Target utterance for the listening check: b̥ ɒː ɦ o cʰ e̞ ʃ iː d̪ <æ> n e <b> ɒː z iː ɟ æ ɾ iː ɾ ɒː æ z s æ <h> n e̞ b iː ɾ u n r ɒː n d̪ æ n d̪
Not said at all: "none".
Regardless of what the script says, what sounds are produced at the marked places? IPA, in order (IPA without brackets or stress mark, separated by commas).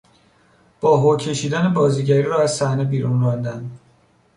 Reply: æ, b, h